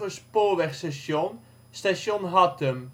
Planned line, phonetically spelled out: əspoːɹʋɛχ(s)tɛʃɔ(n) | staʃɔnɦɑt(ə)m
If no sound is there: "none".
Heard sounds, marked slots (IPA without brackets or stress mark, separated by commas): s, n, ə